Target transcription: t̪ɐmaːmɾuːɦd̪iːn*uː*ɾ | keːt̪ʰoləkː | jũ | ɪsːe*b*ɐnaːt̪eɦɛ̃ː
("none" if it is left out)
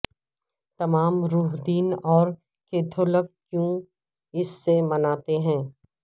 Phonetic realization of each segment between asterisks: ɔː, m

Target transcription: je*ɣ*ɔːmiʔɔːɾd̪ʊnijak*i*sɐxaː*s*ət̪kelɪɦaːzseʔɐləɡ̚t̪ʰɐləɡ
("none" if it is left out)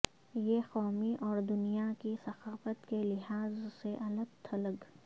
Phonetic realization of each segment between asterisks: x, i, f

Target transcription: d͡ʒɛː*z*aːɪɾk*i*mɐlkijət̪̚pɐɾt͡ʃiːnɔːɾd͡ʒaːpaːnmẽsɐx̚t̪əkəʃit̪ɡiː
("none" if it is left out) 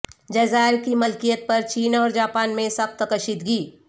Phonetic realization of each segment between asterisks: z, i

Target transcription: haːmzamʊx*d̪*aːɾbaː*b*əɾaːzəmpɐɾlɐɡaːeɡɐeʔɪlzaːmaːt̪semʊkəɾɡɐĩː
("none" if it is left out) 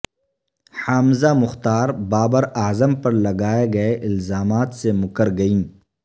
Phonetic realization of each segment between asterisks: t̪, b

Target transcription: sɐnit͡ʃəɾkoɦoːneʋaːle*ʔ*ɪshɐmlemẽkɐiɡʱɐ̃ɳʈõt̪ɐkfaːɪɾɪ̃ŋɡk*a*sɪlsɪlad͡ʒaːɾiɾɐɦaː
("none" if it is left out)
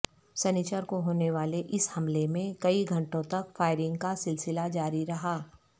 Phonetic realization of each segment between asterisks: ʔ, a

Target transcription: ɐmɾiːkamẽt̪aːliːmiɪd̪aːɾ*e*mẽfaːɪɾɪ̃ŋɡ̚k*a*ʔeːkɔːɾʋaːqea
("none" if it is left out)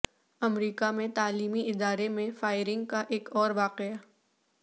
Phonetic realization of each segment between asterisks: e, a

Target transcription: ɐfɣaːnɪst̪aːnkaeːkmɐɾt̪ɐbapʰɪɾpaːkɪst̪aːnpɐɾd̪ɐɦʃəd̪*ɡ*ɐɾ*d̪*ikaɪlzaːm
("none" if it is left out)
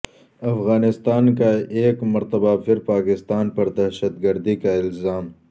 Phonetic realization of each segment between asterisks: ɡ, d̪

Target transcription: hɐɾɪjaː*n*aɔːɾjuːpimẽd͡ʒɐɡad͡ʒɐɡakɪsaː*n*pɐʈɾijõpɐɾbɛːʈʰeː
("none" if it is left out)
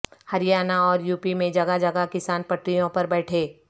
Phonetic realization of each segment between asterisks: n, n

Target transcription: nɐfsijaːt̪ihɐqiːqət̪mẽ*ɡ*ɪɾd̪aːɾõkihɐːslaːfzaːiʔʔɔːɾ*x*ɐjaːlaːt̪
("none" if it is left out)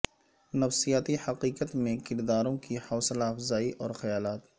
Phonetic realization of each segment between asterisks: k, x

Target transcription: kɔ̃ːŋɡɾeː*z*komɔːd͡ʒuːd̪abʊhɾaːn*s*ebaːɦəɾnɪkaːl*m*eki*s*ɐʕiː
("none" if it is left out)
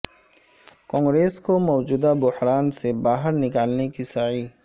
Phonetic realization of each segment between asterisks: s, s, n, s

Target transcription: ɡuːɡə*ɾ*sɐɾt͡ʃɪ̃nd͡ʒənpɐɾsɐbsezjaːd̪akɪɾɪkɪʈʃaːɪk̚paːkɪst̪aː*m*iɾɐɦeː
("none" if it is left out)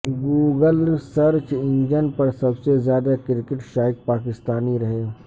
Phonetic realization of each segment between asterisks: l, n

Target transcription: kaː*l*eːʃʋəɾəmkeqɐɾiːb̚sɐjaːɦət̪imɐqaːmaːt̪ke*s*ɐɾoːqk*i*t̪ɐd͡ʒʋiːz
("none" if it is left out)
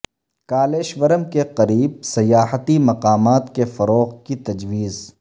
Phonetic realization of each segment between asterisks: l, f, i

